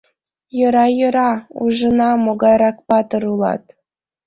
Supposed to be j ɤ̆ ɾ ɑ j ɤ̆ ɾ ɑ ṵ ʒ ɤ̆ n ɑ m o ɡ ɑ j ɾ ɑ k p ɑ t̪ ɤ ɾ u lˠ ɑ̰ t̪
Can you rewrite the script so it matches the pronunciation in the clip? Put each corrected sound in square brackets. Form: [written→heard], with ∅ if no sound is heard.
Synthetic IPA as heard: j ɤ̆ ɾ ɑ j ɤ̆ ɾ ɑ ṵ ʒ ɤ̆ n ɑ m o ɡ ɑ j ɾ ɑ k p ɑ t̪ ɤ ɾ u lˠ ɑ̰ t̪